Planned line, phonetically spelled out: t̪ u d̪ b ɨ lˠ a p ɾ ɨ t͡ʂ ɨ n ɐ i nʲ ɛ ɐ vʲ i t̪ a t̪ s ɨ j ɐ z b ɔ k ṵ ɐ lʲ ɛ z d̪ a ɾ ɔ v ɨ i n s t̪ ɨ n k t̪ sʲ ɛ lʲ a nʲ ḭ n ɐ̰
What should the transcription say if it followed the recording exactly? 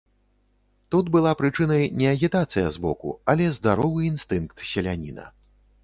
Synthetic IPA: t̪ u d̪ b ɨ lˠ a p ɾ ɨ t͡ʂ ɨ n ɐ j nʲ ɛ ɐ ɣʲ i t̪ a t̪ s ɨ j ɐ z b ɔ k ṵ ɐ lʲ ɛ z d̪ a ɾ ɔ v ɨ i n s t̪ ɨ n k t̪ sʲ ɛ lʲ a nʲ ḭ n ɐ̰